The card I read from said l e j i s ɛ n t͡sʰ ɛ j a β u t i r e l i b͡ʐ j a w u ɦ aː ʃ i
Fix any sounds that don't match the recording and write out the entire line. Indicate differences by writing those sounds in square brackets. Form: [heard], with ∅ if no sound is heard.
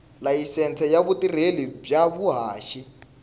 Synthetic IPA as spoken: l [a] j i s ɛ n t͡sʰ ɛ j a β u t i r e l i b͡ʐ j a [β] u ɦ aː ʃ i